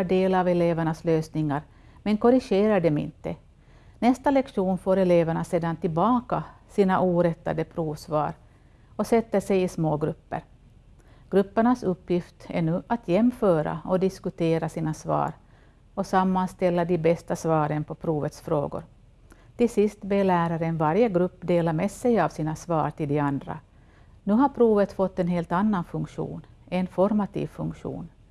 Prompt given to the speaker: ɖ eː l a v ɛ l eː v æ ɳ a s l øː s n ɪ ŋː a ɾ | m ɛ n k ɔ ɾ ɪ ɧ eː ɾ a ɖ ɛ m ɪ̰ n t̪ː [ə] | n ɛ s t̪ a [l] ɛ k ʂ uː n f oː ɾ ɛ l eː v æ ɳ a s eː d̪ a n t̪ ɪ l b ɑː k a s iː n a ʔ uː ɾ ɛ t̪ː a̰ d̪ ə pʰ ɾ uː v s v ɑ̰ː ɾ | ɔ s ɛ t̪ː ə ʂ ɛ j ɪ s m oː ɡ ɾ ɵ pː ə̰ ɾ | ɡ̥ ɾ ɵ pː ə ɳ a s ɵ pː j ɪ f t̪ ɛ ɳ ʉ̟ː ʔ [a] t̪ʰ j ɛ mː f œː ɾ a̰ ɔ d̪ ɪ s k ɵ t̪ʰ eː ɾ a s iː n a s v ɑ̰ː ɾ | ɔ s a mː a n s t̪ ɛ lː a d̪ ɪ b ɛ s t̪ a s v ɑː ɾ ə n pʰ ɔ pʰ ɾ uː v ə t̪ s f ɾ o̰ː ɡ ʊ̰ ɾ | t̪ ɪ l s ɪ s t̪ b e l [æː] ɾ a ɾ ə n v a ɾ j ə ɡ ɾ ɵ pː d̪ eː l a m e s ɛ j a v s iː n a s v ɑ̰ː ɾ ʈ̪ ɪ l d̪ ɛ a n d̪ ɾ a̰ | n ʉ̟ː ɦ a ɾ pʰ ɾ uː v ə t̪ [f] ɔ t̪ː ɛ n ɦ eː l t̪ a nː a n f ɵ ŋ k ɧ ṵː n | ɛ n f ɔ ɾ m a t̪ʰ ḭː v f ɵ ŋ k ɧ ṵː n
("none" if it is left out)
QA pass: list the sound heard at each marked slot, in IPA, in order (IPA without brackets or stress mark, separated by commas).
ə, l, a, æː, f